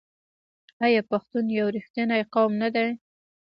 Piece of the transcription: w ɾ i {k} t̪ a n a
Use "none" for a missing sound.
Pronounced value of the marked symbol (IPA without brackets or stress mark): x